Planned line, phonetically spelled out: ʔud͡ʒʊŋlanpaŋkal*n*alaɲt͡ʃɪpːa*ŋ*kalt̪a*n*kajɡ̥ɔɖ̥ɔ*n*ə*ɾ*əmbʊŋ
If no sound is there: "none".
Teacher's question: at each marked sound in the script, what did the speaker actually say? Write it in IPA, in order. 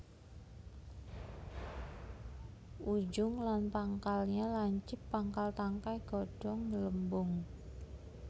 ɲ, ŋ, ŋ, ŋ, l

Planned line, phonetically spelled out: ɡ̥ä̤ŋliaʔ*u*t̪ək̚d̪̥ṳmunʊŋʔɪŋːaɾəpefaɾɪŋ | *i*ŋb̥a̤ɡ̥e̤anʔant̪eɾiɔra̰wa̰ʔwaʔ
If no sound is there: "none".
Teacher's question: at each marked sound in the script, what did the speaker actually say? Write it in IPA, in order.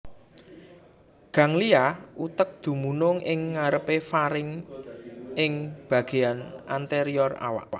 u, ɪ

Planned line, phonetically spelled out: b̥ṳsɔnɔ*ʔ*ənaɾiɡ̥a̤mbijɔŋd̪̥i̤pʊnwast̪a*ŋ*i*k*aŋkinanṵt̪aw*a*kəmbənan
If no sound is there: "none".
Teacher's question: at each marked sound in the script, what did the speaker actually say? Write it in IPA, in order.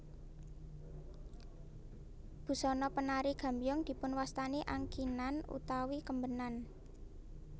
p, n, ʔ, i

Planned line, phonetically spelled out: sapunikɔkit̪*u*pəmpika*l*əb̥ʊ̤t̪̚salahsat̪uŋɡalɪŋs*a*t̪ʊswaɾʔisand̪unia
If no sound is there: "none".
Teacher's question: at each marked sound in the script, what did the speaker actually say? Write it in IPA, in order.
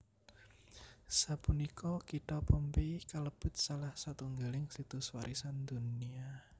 ɔ, l, i

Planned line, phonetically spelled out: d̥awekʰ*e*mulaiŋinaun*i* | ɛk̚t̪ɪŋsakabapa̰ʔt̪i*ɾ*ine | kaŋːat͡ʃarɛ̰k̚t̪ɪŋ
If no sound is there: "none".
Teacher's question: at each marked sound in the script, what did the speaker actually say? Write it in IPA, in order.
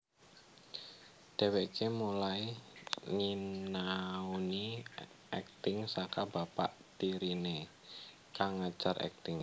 e, i, ɾ

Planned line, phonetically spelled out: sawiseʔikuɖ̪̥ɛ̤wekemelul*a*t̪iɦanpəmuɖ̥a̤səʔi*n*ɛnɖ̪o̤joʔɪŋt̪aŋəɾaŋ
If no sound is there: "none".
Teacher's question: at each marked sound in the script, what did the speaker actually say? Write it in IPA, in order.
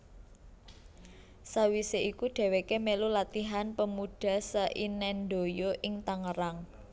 a, n

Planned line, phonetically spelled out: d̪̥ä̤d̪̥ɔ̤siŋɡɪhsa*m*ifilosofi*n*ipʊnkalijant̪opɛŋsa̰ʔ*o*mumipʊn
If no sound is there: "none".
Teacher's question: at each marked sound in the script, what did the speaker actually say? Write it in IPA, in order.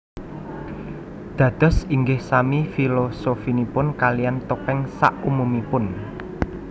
m, n, u

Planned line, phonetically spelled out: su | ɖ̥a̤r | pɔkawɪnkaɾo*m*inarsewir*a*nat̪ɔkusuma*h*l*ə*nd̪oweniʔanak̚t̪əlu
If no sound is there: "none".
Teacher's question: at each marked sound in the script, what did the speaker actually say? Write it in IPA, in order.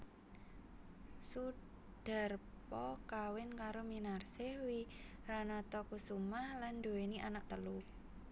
m, a, h, a

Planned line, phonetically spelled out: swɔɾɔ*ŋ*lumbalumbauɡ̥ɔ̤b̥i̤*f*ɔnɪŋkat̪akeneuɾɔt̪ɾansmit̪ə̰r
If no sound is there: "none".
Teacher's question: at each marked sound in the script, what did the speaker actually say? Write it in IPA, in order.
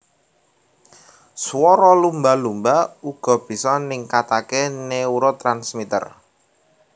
none, s

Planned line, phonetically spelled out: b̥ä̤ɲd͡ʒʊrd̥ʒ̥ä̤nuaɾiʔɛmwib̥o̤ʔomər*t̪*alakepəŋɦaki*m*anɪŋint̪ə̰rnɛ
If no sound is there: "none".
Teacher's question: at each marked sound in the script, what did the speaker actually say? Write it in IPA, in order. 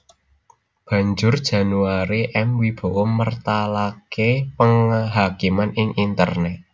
t̪, m

